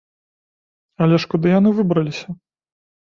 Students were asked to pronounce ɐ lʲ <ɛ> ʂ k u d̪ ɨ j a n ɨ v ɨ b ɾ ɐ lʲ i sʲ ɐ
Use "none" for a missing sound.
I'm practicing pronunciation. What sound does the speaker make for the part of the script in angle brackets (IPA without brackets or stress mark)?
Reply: ɛ